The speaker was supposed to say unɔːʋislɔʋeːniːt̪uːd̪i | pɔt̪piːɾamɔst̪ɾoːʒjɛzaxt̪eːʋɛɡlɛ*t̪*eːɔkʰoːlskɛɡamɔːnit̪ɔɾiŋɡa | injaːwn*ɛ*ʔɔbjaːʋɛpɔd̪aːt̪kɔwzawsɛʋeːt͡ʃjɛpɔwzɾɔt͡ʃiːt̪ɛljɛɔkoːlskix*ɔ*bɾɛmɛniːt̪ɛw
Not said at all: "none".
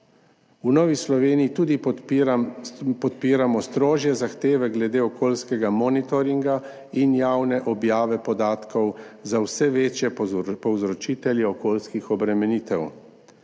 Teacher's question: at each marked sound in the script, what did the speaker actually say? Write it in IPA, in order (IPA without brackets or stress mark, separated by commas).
d̪, ɛ, ɔ